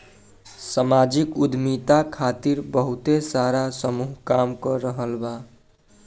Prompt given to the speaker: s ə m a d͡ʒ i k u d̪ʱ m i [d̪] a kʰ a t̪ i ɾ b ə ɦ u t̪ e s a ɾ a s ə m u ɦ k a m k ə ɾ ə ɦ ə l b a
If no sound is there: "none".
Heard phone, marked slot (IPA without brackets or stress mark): t̪